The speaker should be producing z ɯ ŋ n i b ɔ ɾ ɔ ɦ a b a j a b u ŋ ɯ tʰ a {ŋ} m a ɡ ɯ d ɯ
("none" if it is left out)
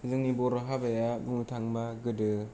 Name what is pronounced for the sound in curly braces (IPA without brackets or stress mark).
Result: ŋ